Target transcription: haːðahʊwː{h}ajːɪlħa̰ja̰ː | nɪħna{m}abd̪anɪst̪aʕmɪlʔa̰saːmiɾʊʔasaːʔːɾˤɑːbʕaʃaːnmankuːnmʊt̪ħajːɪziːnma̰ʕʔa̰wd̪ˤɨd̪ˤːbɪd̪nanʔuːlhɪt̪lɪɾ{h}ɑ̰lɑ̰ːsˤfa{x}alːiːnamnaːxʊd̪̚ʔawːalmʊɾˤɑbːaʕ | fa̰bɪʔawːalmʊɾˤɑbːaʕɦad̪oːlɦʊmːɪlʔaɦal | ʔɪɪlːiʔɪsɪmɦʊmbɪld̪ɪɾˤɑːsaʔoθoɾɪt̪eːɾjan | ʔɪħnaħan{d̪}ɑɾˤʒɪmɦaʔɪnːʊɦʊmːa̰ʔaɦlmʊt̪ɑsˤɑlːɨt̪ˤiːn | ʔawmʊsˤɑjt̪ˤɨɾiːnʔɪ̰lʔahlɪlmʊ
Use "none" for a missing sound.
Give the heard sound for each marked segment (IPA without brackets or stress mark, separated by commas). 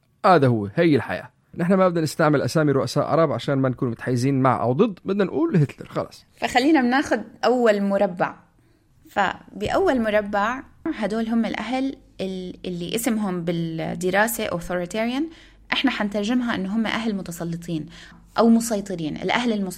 h, m, x, x, t̪